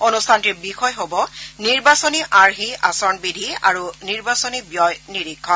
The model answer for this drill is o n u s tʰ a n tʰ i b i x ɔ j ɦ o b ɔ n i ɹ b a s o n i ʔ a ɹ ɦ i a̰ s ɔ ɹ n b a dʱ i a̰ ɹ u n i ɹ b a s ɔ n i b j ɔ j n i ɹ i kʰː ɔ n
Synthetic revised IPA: o n u s tʰ a n t i b i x ɔ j ɦ o b ɔ n i ɹ b a s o n i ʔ a ɹ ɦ i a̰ s ɔ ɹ n b i dʱ i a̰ ɹ u n i ɹ b a s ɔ n i b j ɔ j n i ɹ i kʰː ɔ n